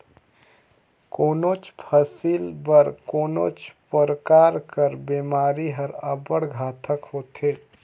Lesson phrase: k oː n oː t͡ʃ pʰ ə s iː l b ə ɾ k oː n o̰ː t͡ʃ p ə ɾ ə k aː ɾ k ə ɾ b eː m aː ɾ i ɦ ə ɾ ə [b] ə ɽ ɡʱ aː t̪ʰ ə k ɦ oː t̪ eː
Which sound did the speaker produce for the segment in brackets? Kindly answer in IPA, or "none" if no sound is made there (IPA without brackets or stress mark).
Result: b